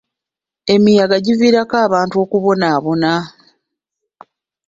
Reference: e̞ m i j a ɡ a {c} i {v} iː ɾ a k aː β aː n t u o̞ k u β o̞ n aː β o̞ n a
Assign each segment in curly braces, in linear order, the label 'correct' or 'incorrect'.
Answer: incorrect, correct

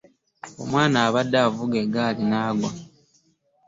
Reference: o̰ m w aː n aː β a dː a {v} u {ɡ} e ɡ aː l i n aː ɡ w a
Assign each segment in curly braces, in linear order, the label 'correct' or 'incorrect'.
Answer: correct, correct

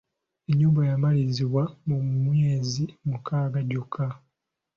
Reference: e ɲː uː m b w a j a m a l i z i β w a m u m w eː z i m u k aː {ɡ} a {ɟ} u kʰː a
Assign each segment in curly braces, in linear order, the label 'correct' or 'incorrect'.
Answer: correct, correct

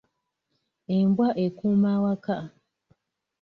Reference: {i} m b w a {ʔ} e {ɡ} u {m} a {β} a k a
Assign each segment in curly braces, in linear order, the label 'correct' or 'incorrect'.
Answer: incorrect, correct, incorrect, correct, incorrect

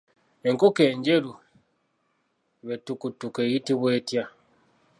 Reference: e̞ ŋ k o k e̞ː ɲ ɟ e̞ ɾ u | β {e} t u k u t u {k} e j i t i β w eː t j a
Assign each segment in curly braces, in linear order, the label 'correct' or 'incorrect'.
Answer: correct, correct

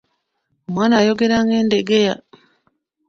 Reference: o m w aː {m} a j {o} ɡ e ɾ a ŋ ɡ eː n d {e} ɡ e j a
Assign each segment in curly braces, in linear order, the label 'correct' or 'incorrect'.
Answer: incorrect, correct, correct

